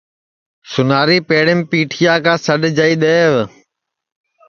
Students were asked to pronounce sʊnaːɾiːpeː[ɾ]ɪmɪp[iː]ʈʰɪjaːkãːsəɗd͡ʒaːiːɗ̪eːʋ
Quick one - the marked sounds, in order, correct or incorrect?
incorrect: ɽ, correct

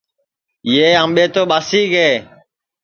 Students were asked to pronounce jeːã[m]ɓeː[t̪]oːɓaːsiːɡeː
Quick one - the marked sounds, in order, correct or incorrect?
correct, correct

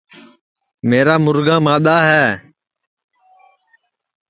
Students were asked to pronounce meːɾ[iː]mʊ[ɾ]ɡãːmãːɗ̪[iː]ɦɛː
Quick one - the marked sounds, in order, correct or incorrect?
incorrect: aː, correct, incorrect: aː

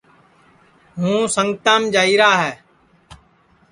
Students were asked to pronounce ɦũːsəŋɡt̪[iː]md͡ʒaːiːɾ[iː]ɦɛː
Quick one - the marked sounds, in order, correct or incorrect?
incorrect: aː, incorrect: aː

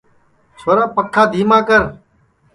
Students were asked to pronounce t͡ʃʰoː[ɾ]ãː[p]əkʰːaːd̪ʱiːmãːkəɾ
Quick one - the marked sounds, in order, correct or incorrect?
correct, correct

